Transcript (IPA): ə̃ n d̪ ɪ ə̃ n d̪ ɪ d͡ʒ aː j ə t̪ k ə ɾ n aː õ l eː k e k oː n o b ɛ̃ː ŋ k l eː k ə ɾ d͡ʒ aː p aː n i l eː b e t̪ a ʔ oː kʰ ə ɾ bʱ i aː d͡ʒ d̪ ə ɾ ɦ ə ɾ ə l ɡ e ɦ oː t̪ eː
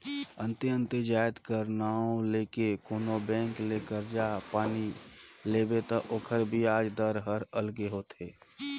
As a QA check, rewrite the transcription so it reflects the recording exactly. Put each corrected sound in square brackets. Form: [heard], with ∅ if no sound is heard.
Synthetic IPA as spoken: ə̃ n [t̪] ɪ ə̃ n [t̪] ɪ d͡ʒ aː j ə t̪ k ə ɾ n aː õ l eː k e k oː n o b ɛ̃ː ŋ k l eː k ə ɾ d͡ʒ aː p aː n i l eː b e t̪ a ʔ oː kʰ ə ɾ bʱ i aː d͡ʒ d̪ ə ɾ ɦ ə ɾ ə l ɡ e ɦ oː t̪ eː

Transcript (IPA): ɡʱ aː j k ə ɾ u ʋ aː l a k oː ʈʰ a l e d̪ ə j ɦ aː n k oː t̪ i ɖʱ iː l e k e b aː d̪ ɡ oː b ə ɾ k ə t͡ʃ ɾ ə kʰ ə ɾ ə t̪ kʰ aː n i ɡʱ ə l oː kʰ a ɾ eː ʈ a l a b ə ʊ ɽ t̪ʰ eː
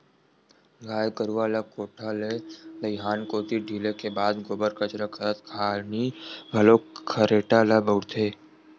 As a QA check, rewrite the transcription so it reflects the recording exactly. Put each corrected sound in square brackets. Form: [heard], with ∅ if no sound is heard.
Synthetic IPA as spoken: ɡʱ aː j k ə ɾ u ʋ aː l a k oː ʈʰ a l e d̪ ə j ɦ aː n k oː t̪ i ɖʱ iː l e k e b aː d̪ ɡ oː b ə ɾ k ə t͡ʃ ɾ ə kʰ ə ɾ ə t̪ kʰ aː n i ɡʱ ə l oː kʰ [ə] ɾ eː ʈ a l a b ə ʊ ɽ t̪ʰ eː

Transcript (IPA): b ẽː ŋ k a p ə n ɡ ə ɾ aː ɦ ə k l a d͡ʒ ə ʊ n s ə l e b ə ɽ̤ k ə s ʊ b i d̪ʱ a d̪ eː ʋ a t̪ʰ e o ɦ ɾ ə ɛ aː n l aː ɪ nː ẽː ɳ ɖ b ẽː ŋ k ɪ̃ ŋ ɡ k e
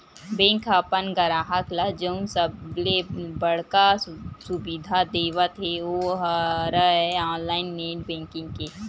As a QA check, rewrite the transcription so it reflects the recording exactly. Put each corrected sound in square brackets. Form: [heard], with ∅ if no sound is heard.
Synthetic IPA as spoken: b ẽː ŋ k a p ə n ɡ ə ɾ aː ɦ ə k l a d͡ʒ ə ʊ n s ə l e b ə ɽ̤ k [a] s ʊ b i d̪ʱ a d̪ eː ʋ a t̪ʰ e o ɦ ɾ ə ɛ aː n l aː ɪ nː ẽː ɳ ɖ b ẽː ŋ k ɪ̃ ŋ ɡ k e

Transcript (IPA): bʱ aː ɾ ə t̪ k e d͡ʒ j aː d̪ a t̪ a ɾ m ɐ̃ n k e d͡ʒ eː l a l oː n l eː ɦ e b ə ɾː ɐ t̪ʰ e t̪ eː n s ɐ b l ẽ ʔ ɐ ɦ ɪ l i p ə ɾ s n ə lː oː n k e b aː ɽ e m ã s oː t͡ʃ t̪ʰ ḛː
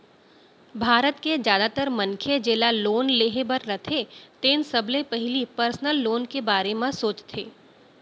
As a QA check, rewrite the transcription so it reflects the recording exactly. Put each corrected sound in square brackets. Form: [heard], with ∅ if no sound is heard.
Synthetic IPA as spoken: bʱ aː ɾ ə t̪ k e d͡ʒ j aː d̪ a t̪ [ə] ɾ m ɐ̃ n [kʰ] e d͡ʒ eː l a l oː n l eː ɦ e b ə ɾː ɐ t̪ʰ e t̪ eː n s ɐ b l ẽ [p] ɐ ɦ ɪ l i p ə ɾ s n ə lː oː n k e b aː [ɾ] e m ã s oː t͡ʃ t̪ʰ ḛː

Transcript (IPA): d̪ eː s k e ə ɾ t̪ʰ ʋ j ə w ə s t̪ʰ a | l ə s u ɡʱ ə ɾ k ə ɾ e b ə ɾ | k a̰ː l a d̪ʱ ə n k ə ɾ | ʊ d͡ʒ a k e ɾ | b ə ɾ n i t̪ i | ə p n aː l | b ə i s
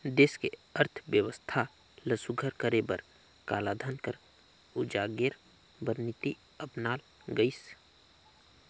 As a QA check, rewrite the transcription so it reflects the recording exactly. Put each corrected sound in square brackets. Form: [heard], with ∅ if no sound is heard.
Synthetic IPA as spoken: d̪ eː s k e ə ɾ t̪ʰ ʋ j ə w ə s t̪ʰ a | l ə s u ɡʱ ə ɾ k ə ɾ e b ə ɾ | k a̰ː l a d̪ʱ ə n k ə ɾ | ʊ d͡ʒ a [ɡ] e ɾ | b ə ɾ n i t̪ i | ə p n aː l | [ɡ] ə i s

